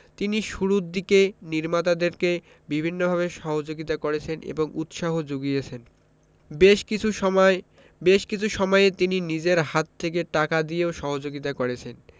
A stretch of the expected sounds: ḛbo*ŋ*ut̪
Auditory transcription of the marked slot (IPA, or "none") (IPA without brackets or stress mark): ŋ